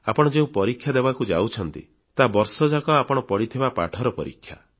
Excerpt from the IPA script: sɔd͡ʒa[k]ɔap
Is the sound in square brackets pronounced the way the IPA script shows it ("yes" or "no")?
yes